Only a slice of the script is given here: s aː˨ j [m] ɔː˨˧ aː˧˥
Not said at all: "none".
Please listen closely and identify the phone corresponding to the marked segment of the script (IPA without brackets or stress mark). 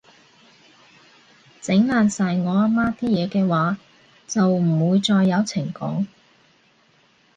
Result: ŋ